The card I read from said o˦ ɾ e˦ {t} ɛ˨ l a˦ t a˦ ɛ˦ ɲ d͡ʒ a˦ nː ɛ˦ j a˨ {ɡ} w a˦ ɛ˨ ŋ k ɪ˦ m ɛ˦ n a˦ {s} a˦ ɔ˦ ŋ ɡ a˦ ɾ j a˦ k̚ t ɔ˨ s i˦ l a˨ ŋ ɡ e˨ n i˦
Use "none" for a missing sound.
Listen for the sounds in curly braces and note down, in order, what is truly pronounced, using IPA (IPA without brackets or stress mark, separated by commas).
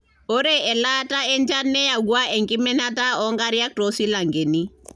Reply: none, ɡ, t